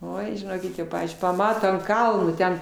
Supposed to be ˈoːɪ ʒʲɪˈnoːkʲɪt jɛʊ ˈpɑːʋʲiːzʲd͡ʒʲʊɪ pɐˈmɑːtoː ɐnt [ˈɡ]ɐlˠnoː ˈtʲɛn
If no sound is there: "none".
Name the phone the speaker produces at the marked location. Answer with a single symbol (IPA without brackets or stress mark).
k